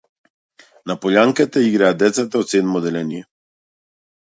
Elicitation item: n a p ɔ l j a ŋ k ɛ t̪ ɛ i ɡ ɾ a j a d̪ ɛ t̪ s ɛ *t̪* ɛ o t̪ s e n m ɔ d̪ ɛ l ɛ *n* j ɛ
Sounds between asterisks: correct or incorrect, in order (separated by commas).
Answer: correct, correct